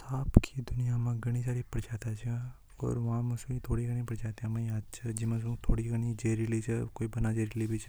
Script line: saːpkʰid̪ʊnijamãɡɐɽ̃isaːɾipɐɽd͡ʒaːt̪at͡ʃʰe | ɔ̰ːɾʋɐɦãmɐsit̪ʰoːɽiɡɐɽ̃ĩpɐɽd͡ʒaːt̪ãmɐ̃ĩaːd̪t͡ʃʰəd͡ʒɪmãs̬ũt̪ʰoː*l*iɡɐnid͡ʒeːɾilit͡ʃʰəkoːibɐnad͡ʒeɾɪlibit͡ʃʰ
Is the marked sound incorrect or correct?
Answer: incorrect